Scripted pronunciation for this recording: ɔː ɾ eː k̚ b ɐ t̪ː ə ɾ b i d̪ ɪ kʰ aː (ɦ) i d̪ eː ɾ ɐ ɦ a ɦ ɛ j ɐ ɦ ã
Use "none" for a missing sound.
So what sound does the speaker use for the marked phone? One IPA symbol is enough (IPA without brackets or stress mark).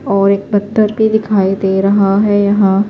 none